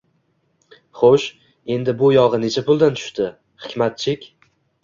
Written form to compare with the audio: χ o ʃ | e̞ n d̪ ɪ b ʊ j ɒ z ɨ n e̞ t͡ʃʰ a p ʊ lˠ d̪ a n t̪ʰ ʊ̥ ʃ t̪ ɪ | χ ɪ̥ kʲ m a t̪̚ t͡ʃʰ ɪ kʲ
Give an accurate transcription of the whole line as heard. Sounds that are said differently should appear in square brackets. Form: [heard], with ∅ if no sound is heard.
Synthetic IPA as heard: χ o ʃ | e̞ n d̪ ɪ b ʊ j ɒ [ʁ] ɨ n e̞ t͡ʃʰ a p ʊ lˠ d̪ a n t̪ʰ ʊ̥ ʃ t̪ ɪ | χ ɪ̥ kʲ m a t̪̚ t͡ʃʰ ɪ kʲ